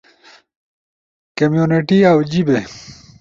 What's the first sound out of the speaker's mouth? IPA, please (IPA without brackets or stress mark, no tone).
k